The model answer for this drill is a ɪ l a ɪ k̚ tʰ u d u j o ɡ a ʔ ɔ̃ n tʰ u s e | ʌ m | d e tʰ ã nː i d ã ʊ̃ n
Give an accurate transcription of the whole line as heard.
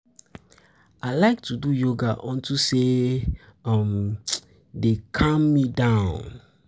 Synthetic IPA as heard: a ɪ l a ɪ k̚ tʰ u d u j o ɡ a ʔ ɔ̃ n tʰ u s e | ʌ m | d e kʰ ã mː i d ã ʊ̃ n